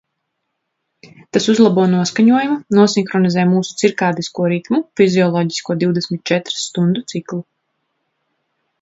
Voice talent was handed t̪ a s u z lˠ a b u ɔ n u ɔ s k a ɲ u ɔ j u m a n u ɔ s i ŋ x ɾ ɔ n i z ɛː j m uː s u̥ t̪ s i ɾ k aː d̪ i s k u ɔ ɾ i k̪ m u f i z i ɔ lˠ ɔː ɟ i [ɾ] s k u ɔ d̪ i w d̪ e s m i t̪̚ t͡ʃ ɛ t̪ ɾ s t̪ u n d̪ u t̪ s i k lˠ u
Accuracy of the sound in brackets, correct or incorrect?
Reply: incorrect